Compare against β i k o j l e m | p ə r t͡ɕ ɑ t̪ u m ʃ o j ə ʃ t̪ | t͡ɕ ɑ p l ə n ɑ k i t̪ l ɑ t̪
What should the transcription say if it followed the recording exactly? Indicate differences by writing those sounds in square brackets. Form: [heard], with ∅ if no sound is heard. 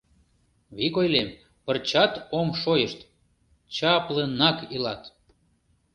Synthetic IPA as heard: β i k o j l e m | p ə r t͡ɕ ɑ t̪ [o] m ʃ o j ə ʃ t̪ | t͡ɕ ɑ p l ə n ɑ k i [∅] l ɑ t̪